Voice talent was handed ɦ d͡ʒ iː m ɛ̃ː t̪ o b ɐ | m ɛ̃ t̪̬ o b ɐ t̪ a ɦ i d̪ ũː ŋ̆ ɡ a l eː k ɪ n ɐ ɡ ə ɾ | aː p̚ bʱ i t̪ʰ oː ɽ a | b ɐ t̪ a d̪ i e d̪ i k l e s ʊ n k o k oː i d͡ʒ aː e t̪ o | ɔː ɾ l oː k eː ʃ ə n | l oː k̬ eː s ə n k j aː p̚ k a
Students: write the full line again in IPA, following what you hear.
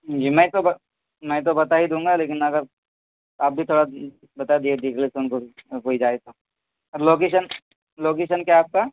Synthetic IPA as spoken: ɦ d͡ʒ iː m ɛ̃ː t̪ o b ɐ | m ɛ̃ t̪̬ o b ɐ t̪ a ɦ i d̪ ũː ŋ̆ ɡ a l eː k ɪ n ɐ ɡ ə ɾ | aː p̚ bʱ i t̪ʰ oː ɽ a | b ɐ t̪ a d̪ i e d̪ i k l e s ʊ n k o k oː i d͡ʒ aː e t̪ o | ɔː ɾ l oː k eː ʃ ə n | l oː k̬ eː ʃ ə n k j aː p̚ k a